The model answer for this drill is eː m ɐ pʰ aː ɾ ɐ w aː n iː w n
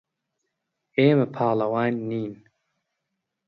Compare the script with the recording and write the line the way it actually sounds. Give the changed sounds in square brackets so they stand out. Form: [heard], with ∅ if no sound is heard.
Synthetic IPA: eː m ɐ pʰ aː [l] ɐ w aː [nː] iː [∅] n